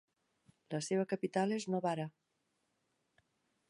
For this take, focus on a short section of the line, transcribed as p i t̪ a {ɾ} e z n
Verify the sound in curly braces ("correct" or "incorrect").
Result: incorrect